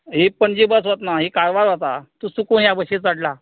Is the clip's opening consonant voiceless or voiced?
voiced